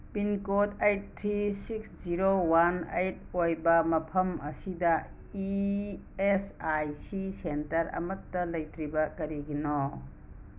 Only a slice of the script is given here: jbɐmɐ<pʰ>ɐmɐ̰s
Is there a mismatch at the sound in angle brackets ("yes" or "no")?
no